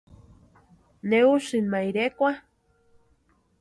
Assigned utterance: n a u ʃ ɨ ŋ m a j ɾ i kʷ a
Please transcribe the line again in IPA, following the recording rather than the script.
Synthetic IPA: n e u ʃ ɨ n m a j ɾ e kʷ a